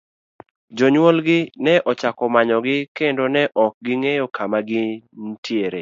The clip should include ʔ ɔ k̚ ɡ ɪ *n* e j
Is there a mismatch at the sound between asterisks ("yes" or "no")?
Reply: yes